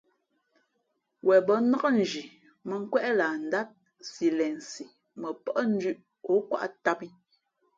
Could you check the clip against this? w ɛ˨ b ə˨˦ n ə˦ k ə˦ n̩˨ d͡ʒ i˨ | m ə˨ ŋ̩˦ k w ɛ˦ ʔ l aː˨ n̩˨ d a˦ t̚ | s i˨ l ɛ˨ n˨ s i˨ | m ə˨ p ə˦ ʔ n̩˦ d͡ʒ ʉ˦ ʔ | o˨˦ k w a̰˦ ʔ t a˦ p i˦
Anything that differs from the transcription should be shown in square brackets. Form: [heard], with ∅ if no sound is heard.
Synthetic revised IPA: w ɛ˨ b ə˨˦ n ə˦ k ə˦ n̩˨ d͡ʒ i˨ | m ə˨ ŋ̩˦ k w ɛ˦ ʔ l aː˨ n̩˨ d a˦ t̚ | s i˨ l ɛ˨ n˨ s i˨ | m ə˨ p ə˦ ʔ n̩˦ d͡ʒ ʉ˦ ʔ | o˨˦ k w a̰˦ ʔ t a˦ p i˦